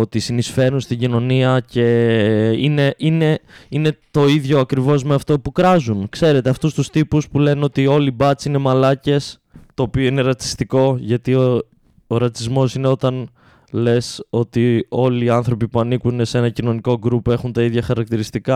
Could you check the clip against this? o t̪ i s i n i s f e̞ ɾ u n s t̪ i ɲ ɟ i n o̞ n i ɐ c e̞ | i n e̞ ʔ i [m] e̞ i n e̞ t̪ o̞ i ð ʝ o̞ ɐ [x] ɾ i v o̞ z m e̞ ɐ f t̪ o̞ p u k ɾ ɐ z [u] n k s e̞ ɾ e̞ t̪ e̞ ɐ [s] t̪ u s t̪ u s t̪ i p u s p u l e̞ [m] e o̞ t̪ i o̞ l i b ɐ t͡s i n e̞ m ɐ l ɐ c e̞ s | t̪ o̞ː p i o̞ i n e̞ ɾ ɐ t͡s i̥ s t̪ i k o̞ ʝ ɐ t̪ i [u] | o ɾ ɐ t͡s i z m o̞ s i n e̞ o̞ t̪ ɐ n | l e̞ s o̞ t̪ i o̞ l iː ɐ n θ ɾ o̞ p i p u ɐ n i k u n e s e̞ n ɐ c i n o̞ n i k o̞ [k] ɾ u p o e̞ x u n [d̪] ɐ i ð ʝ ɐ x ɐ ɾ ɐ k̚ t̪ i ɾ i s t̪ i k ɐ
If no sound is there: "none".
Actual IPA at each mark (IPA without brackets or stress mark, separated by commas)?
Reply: n, k, u, f, n, o, ɡ, t̪